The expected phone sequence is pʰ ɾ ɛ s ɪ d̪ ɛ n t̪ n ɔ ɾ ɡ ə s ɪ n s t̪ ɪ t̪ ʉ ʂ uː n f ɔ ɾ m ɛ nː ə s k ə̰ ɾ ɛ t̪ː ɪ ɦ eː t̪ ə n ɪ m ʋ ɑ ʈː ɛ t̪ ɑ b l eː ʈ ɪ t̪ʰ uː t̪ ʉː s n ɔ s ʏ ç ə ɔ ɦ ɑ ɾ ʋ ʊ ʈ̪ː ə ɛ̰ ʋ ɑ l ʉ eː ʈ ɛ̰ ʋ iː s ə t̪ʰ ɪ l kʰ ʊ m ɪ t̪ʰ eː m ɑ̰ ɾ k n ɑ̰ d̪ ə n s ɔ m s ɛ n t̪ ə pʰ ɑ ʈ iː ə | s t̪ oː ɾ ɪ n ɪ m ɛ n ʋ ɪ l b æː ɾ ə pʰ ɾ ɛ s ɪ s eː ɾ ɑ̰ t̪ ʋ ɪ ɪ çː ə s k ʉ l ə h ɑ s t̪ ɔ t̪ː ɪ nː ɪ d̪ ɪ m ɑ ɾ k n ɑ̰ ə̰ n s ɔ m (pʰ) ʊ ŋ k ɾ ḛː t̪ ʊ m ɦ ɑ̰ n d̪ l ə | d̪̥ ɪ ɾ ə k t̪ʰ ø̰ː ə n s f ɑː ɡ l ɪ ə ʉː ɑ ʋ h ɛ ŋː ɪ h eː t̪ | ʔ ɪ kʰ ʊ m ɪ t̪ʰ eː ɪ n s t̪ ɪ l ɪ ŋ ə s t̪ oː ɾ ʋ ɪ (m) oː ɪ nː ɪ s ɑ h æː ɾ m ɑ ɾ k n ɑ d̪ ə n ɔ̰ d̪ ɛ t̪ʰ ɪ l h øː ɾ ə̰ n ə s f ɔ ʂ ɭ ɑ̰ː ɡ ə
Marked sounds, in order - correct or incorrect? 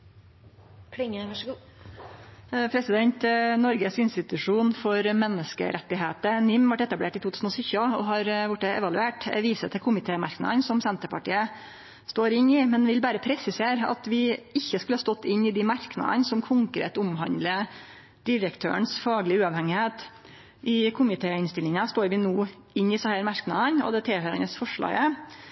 incorrect, incorrect

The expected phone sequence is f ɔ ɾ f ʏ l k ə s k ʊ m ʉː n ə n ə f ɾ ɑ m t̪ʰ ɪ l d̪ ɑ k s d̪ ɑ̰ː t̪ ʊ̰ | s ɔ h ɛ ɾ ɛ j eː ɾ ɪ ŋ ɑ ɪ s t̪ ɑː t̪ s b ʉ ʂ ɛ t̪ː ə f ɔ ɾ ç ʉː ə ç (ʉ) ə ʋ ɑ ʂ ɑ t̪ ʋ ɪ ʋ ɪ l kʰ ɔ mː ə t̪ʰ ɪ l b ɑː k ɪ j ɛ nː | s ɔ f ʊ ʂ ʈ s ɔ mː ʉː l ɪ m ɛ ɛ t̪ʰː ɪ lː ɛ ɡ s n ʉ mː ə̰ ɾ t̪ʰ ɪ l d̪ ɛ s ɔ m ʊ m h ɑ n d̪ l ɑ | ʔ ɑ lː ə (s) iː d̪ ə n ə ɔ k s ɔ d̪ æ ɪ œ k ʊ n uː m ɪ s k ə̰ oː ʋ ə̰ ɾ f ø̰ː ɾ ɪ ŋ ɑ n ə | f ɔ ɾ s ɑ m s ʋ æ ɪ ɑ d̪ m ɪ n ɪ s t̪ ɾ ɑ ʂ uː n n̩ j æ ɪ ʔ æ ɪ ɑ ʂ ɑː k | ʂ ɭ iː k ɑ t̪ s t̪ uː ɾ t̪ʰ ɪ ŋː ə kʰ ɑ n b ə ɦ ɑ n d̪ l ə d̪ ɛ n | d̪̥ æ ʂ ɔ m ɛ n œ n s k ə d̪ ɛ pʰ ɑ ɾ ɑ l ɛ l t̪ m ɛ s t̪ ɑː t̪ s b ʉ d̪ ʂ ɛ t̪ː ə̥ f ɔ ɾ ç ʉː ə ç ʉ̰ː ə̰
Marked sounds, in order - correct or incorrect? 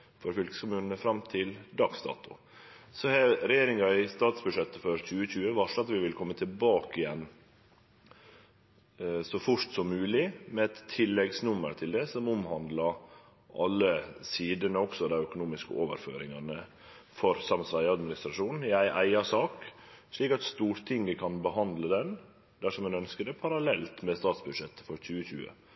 incorrect, correct

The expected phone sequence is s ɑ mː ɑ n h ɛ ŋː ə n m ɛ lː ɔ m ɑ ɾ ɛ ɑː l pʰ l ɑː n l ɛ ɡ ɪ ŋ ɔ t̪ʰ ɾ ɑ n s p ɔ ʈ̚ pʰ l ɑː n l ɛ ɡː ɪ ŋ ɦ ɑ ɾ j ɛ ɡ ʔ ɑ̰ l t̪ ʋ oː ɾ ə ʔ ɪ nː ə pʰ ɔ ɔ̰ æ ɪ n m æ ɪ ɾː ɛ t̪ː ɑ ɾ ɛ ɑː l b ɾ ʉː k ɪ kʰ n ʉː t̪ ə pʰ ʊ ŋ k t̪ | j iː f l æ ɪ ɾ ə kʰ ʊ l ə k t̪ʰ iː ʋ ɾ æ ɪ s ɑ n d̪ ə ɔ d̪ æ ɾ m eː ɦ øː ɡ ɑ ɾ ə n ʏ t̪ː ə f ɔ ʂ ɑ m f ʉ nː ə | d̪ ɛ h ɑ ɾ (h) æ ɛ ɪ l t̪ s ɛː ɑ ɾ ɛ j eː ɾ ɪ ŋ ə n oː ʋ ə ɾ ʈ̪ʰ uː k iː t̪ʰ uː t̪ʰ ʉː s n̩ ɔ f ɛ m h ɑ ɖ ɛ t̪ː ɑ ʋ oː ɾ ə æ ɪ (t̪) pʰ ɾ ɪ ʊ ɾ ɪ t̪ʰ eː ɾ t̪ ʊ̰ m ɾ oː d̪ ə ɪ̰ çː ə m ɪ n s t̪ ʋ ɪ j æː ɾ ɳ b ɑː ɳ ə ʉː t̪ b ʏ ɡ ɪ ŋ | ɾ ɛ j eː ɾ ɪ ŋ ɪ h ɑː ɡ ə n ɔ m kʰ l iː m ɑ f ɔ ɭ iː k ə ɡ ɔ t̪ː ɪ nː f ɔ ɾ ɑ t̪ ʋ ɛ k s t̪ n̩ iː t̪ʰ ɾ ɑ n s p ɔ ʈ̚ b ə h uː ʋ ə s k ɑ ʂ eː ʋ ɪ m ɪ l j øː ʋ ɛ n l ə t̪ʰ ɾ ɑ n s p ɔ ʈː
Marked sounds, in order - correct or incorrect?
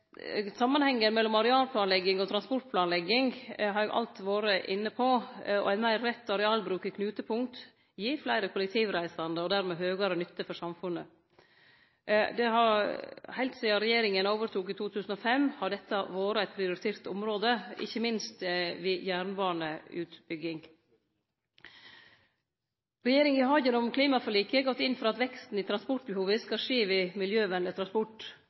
correct, correct

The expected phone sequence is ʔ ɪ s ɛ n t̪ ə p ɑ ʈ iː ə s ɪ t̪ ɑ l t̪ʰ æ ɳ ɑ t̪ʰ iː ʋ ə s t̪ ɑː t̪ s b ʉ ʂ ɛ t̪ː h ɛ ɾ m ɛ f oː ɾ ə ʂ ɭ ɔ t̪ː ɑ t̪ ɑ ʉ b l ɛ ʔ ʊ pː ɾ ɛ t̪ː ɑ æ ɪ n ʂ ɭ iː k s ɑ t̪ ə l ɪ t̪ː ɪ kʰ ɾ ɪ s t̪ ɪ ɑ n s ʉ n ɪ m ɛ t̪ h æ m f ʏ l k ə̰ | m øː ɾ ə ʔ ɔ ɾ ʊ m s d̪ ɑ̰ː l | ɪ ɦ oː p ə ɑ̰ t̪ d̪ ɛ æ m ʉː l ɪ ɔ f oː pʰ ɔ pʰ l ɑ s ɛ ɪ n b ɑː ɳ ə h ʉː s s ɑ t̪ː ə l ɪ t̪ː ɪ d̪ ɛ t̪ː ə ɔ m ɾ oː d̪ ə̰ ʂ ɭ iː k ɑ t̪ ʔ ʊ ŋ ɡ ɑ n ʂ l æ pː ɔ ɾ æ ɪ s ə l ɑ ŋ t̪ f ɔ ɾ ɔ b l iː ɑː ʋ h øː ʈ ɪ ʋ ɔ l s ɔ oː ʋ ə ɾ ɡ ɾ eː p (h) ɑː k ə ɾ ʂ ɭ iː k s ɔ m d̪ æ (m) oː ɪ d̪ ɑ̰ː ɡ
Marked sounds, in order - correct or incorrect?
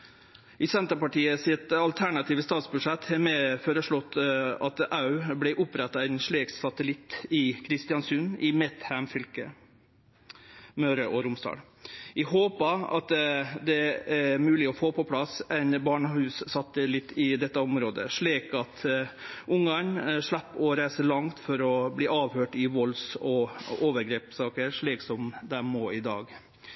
incorrect, correct

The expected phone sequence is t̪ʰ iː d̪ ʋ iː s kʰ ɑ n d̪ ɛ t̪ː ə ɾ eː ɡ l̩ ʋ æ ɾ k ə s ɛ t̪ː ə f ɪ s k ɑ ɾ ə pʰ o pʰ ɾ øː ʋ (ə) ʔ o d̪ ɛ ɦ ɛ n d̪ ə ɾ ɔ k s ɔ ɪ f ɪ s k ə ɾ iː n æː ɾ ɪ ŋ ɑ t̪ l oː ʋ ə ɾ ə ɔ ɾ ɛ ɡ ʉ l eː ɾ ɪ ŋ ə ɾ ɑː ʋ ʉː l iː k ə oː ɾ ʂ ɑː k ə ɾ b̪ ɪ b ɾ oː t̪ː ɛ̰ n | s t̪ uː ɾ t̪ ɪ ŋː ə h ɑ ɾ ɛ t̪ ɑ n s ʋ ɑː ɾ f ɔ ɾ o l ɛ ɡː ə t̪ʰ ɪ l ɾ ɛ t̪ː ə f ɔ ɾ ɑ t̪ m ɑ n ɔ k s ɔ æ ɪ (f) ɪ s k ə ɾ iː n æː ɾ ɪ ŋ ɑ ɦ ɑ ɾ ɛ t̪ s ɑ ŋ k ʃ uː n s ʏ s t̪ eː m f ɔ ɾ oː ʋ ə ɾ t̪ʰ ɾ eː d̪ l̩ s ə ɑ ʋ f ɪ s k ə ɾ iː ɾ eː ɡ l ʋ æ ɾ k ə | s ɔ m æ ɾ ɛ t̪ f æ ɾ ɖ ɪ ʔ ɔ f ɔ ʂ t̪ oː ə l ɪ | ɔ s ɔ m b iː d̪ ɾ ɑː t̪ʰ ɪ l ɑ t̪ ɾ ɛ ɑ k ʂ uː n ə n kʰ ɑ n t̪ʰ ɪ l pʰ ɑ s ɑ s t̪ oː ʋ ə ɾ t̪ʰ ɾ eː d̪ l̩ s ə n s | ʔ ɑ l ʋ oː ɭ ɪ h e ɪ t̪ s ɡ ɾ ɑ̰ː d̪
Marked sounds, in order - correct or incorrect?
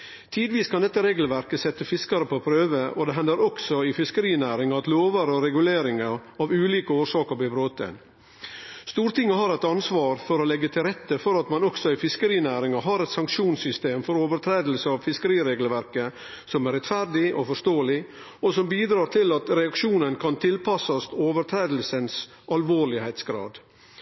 correct, correct

